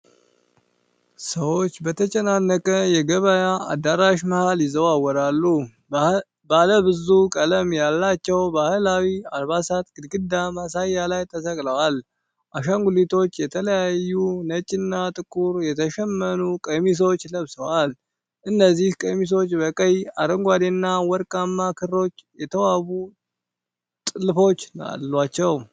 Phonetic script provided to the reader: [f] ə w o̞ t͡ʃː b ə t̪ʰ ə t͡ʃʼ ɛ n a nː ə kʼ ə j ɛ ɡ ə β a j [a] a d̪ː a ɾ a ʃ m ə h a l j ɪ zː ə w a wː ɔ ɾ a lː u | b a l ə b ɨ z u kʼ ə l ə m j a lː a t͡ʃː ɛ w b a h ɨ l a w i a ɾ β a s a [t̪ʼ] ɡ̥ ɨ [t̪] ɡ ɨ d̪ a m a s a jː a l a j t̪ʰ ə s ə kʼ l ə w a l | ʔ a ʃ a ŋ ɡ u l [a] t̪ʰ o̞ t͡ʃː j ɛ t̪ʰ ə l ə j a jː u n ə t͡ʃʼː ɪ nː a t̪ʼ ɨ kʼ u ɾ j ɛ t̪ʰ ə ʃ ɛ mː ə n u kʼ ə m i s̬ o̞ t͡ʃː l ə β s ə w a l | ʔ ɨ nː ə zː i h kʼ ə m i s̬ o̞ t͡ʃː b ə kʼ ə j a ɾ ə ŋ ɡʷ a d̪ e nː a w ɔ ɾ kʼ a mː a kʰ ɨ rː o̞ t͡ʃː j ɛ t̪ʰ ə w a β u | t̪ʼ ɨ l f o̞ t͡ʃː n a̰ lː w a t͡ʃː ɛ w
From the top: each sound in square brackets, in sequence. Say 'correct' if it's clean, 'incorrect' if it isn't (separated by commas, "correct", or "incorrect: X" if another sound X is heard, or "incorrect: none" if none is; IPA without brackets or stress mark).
incorrect: s, correct, incorrect: t̪, incorrect: d̪, incorrect: i